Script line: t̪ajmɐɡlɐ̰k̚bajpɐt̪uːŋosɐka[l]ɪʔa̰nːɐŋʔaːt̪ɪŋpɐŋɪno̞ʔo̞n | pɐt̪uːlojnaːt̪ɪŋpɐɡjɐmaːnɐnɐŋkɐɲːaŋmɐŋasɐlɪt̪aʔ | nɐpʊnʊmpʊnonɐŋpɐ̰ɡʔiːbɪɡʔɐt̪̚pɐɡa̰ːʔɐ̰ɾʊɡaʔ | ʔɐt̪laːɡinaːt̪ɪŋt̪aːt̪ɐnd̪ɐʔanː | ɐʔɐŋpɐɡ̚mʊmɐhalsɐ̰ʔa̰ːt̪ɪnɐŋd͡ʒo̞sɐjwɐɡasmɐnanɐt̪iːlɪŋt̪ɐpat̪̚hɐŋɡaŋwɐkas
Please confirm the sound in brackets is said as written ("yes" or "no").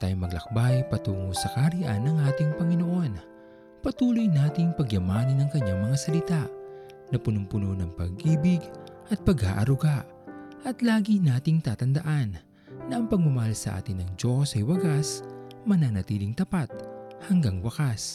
no